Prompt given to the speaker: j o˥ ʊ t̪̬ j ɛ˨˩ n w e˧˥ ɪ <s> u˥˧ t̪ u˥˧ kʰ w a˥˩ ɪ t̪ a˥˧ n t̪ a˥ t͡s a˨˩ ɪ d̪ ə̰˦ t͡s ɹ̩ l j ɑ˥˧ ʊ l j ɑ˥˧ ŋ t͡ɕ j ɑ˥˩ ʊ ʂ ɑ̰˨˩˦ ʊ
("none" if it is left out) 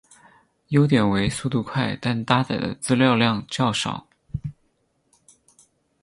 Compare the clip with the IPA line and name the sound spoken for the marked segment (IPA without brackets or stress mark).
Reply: s